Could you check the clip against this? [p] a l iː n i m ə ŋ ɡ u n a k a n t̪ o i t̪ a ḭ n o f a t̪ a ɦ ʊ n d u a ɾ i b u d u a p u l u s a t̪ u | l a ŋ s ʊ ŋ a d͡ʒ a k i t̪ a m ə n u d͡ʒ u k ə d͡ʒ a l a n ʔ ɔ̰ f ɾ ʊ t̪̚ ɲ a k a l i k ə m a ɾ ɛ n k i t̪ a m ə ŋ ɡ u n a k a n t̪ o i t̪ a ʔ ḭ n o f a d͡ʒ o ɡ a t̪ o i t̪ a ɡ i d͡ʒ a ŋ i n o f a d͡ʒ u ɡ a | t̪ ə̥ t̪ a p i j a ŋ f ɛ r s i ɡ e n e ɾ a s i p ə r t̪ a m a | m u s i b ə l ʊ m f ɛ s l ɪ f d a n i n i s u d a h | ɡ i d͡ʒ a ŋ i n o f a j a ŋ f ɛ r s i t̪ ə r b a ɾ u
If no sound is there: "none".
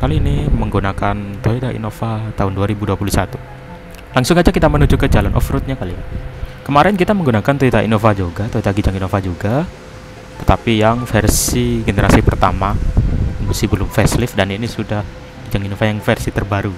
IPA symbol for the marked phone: k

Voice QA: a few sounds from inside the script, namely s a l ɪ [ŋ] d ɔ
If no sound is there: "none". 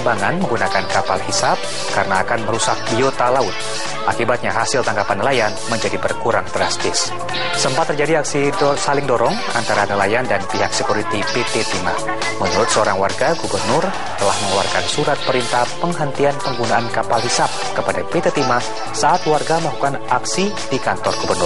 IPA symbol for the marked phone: ŋ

